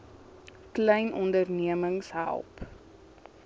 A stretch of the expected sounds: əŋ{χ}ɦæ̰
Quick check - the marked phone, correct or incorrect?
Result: incorrect